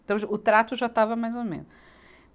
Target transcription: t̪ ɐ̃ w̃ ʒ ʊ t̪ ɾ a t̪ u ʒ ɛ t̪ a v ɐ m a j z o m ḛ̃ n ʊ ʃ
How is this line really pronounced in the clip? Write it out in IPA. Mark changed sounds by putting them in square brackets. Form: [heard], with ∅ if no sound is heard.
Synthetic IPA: t̪ ɐ̃ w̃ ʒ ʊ t̪ ɾ a t̪ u ʒ [a] t̪ a v ɐ m a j z o m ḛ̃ n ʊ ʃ